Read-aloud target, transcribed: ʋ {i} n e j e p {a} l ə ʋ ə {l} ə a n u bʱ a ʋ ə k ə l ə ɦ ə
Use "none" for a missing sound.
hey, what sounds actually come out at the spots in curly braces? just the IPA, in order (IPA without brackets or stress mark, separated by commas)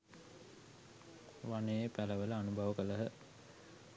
a, æ, l